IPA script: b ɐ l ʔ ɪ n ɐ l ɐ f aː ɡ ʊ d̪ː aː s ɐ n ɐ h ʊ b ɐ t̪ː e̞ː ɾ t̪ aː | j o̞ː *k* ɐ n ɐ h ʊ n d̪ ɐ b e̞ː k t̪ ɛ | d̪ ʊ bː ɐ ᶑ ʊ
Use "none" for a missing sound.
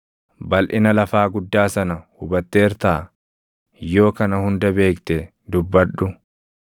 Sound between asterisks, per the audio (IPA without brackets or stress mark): k